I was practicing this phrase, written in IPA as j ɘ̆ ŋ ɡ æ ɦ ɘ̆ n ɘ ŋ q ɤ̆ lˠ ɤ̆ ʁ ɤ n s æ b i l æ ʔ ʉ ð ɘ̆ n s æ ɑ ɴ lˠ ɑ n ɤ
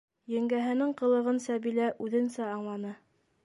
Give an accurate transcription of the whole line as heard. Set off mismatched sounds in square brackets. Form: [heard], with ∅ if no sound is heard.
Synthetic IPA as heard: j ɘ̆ ŋ ɡ æ ɦ ɘ̆ n ɘ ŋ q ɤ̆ lˠ ɤ̆ ʁ ɤ n s æ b i l æ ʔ ʉ ð ɘ̆ n s æ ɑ ɴ lˠ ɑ n ɤ